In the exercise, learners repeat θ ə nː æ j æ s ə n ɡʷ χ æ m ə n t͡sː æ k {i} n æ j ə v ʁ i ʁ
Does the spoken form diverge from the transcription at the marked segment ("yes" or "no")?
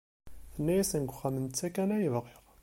yes